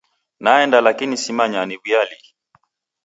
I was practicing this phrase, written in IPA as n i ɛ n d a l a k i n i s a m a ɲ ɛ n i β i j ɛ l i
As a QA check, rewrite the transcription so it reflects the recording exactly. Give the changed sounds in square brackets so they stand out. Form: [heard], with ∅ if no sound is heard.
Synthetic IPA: n [a] ɛ n d a l a k i n i s [i] m a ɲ [a] n i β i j [a] l i